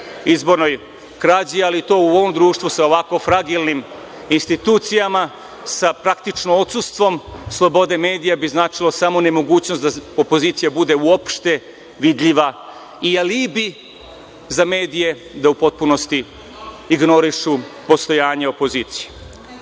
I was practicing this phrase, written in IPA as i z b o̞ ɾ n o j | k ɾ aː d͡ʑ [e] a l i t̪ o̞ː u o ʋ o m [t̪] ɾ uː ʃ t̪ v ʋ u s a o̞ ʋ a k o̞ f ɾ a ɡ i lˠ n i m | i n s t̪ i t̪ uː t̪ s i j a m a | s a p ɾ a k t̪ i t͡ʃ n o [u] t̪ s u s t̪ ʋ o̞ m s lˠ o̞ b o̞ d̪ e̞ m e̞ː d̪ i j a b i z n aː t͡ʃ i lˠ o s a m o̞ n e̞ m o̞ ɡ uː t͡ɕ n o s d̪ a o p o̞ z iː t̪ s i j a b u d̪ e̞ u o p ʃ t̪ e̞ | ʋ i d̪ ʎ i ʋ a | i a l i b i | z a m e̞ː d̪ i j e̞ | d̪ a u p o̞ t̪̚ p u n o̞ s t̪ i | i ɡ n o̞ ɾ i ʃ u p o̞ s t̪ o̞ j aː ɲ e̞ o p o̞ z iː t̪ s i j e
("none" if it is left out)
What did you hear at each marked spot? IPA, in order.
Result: i, d̪, o

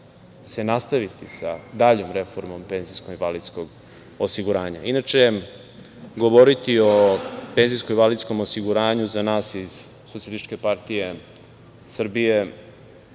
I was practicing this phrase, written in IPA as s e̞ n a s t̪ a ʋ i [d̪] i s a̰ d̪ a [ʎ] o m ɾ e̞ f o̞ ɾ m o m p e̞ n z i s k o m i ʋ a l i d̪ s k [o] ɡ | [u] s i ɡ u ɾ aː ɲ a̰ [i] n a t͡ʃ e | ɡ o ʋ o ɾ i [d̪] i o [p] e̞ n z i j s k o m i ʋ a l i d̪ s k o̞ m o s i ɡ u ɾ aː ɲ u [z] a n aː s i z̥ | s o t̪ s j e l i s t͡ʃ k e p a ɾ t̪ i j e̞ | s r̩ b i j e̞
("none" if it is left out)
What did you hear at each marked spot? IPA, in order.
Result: t̪, ʎ, o, o, i, t̪, p, z

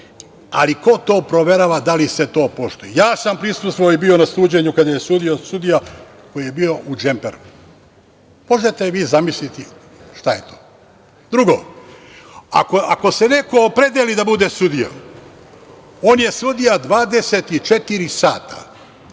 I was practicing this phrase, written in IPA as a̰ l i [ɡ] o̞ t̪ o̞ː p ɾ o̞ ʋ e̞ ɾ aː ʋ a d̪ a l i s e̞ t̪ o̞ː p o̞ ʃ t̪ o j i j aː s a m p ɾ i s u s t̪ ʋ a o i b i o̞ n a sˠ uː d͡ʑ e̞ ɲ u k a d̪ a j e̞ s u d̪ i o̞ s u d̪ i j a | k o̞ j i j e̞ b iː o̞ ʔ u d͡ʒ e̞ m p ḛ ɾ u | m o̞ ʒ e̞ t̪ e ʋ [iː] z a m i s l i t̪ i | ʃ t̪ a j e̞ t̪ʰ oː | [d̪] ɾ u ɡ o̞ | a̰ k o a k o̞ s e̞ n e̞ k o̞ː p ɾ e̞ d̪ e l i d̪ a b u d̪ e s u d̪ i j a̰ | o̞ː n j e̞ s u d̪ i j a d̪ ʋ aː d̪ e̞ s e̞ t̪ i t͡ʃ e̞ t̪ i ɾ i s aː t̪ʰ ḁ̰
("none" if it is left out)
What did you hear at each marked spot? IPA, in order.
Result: k, iː, d̪

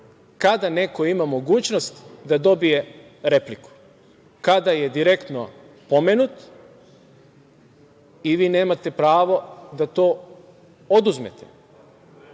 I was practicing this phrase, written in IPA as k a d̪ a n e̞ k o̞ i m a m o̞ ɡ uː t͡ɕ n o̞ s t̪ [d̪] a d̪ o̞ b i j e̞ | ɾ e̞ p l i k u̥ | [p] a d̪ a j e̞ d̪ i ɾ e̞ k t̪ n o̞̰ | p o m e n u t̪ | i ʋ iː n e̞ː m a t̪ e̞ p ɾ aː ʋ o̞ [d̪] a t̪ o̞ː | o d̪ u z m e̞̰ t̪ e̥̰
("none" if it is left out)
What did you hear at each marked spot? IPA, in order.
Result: d̪, k, d̪

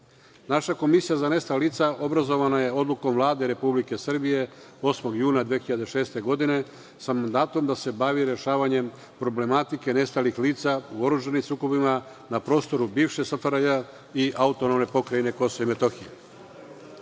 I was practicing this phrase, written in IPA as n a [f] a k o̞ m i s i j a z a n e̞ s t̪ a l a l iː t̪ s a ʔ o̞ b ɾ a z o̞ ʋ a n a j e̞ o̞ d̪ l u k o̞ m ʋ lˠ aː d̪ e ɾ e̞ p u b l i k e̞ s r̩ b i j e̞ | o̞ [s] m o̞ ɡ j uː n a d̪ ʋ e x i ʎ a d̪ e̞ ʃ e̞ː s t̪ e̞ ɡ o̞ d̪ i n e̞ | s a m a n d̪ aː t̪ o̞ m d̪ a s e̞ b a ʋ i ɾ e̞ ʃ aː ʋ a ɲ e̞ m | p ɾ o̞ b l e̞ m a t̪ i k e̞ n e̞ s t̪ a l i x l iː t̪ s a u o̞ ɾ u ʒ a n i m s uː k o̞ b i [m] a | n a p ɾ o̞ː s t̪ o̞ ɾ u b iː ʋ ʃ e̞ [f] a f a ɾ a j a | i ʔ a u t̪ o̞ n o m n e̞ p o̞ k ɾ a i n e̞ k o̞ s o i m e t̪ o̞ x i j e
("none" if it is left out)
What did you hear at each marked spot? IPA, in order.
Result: ʃ, s, m, s

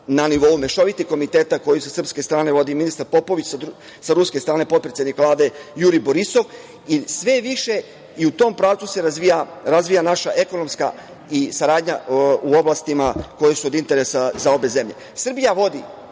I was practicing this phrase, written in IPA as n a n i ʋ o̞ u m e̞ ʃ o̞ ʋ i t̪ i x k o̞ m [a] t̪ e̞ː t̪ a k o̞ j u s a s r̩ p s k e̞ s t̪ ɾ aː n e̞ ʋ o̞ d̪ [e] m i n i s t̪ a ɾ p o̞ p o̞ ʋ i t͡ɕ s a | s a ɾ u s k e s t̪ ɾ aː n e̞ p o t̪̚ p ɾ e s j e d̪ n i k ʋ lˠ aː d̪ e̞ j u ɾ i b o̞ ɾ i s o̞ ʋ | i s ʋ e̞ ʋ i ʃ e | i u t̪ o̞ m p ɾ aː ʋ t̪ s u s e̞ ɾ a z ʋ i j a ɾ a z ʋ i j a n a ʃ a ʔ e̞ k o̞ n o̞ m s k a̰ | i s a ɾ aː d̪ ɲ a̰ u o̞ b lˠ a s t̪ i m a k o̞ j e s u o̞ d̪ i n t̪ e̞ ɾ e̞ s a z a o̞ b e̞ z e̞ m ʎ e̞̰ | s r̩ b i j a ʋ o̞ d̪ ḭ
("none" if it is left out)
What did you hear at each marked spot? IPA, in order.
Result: i, i

